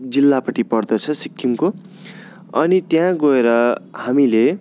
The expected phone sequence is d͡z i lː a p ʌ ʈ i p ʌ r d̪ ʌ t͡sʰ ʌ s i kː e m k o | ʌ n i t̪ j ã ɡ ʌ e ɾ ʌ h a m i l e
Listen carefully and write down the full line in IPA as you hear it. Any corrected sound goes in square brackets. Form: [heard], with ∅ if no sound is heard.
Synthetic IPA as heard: d͡z i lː a p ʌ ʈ i p ʌ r d̪ ʌ t͡sʰ ʌ s i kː [i] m k o | ʌ n i t̪ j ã ɡ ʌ e ɾ ʌ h a m i l e